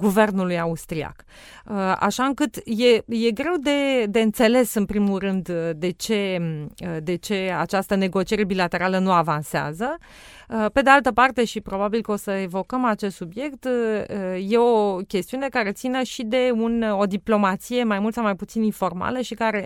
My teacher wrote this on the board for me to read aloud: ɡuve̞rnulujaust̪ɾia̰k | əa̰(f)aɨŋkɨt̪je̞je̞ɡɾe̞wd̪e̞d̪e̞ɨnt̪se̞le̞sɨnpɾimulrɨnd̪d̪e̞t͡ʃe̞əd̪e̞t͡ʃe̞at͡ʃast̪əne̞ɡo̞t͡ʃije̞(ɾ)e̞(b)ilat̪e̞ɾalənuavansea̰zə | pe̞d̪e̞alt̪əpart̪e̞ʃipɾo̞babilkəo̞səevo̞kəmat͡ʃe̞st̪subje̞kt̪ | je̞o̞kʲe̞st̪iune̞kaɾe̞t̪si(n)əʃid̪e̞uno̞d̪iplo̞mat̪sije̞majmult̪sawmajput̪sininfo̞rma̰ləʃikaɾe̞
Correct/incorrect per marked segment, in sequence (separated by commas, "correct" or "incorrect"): incorrect, correct, correct, correct